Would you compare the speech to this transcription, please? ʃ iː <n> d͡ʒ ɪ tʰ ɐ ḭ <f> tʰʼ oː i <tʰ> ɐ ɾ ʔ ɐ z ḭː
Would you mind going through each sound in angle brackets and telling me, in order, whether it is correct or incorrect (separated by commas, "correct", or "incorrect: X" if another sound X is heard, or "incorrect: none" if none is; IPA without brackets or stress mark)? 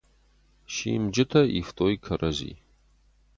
incorrect: m, correct, incorrect: kʰ